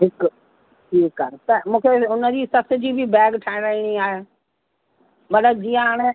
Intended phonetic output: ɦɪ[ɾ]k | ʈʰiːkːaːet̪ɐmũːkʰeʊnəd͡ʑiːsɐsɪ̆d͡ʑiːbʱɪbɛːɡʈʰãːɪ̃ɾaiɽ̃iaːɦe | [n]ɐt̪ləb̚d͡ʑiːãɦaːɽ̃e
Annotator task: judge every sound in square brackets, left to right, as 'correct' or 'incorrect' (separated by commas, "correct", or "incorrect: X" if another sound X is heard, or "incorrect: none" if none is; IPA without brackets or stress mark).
incorrect: none, incorrect: m